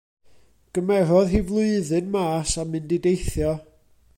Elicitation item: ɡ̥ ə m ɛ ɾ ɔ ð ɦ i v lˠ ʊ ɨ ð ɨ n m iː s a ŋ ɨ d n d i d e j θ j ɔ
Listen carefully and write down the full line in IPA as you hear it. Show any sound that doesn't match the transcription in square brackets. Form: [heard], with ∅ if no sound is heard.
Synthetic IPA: ɡ̥ ə m ɛ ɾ ɔ ð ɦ i v lˠ ʊ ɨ ð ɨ n m [aː] s a [m] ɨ [∅] n d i d e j θ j ɔ